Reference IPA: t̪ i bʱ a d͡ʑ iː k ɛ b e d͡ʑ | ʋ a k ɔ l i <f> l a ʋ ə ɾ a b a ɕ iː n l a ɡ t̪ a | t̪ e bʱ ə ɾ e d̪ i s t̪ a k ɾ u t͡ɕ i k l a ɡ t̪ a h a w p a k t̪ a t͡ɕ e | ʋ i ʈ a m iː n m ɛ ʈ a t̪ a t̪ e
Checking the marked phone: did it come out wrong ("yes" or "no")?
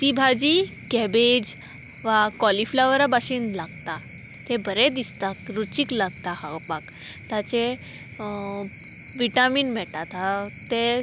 no